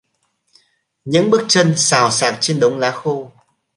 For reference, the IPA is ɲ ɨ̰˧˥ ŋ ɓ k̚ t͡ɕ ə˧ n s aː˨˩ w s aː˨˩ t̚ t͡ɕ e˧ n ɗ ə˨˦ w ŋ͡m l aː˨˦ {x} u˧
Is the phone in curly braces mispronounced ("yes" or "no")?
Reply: no